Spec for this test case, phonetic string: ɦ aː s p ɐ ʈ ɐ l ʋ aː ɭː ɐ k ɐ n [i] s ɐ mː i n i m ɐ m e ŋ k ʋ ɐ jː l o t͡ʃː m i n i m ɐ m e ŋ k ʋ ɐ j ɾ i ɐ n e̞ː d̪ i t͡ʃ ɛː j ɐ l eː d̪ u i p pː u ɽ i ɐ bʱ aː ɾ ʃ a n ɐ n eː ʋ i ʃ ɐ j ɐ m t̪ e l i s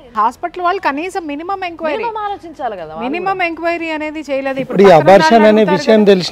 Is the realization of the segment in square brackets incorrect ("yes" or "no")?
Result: yes